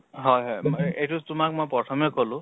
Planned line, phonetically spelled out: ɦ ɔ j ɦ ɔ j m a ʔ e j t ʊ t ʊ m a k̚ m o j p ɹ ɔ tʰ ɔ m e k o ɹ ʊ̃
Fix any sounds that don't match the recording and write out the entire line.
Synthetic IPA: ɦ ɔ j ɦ ɔ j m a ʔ e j t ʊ t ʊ m a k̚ m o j p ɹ ɔ tʰ ɔ m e k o l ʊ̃